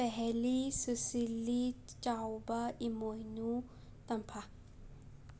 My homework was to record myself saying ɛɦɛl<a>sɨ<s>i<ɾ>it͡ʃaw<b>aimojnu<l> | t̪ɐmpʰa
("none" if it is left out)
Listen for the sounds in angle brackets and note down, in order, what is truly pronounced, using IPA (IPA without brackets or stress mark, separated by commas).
i, s, l, b, none